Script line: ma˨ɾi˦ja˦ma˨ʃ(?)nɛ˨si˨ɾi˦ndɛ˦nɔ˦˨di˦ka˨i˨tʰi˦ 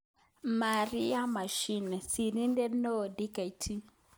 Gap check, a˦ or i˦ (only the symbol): i˦